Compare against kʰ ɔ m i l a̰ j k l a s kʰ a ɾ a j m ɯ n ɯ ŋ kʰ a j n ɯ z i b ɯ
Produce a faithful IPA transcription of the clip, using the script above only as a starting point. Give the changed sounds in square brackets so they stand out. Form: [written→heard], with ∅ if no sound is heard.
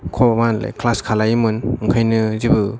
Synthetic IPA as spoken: kʰ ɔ m [i→a] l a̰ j k l a s kʰ a [ɾ→l] a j m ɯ n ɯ ŋ kʰ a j n ɯ z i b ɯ